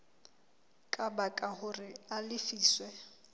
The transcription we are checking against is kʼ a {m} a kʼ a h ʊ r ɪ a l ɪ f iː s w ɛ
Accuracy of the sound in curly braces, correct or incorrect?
incorrect